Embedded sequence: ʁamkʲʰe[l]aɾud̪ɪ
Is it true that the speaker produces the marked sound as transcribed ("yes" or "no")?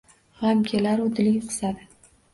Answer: yes